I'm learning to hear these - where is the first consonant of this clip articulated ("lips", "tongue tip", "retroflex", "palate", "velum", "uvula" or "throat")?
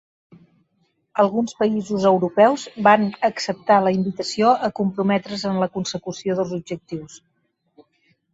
tongue tip